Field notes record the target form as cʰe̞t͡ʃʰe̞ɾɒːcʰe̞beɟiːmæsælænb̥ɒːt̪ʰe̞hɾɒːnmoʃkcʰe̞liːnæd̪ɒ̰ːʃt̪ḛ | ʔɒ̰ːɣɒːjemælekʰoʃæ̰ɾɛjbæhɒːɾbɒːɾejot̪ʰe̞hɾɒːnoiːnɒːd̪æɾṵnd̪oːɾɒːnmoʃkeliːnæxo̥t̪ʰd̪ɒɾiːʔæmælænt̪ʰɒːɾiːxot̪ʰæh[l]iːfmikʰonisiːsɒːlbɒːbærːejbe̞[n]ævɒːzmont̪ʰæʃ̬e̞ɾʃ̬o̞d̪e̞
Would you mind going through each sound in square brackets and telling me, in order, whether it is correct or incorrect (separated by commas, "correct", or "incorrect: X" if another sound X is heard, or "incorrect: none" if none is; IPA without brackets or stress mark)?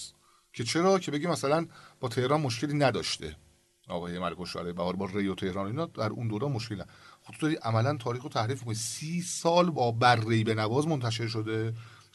incorrect: ɾ, correct